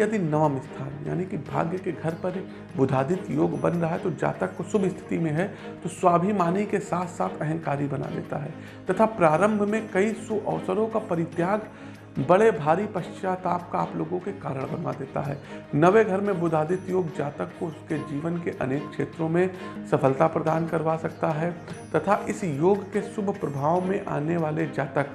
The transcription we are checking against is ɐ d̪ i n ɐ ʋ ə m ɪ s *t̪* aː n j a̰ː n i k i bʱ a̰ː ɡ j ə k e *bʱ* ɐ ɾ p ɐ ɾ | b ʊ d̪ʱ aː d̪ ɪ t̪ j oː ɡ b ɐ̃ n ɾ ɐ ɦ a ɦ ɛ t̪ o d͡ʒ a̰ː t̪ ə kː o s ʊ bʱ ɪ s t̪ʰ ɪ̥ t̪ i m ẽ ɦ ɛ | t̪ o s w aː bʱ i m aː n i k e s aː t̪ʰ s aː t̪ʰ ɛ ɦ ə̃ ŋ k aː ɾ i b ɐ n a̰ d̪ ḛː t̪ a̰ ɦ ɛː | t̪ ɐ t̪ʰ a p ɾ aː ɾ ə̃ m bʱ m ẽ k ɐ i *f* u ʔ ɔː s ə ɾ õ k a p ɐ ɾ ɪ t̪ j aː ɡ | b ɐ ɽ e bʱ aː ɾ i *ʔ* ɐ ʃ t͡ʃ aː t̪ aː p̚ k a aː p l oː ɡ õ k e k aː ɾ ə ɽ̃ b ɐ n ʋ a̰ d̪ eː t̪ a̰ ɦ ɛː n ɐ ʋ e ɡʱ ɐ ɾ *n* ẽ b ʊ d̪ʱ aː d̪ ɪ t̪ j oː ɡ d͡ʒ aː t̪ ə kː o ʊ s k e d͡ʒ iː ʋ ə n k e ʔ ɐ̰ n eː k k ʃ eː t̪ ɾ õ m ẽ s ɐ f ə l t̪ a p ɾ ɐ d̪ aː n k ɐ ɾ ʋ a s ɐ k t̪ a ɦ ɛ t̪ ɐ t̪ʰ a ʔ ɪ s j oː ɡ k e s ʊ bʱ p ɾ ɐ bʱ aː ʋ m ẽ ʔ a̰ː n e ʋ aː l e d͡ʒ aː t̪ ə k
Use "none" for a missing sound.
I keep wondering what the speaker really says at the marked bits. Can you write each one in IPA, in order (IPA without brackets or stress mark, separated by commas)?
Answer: t̪ʰ, ɡʱ, s, p, m